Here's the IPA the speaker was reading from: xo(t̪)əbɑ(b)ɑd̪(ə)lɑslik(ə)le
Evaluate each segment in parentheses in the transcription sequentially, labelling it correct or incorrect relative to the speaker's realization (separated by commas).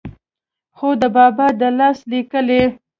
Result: incorrect, correct, correct, correct